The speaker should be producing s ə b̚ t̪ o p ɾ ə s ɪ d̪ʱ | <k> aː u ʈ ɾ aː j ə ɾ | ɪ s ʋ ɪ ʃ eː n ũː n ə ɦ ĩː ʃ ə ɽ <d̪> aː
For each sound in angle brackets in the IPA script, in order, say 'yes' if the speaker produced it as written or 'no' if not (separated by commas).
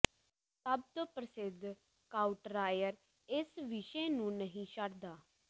yes, yes